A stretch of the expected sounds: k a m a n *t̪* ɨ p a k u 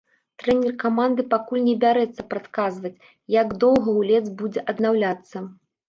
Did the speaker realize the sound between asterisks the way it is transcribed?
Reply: no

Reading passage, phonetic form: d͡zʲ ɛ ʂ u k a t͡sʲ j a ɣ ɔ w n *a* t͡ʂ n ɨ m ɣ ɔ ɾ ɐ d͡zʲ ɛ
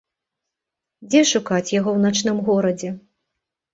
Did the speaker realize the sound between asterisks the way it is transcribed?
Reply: yes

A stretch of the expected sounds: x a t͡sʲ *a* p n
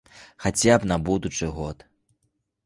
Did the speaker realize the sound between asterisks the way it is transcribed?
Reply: yes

